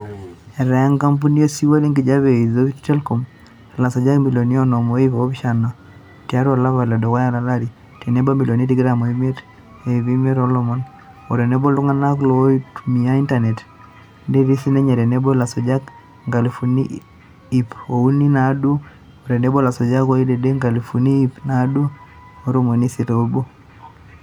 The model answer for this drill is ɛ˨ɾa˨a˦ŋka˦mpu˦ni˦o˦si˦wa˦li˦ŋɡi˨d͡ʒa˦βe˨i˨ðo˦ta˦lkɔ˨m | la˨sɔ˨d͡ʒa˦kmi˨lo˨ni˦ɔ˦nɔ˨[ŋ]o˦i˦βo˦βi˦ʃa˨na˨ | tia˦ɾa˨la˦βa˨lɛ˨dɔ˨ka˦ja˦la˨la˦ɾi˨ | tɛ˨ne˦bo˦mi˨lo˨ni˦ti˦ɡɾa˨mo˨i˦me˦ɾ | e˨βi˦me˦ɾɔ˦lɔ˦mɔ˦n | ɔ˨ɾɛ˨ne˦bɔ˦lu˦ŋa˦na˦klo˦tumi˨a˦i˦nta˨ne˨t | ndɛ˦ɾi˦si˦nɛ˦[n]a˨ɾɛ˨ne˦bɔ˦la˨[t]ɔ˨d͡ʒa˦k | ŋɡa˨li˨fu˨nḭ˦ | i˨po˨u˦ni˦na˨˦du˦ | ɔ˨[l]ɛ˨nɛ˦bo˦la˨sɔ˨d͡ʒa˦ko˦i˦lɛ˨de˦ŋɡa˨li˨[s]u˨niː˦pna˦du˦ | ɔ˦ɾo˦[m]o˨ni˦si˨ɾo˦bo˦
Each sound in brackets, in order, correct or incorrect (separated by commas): incorrect, incorrect, incorrect, incorrect, incorrect, correct